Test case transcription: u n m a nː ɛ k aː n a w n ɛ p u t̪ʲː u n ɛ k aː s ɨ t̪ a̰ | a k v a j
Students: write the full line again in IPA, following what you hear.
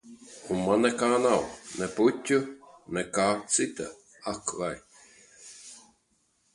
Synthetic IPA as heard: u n m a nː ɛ k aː n a w n ɛ p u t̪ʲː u n ɛ k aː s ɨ t̪ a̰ | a k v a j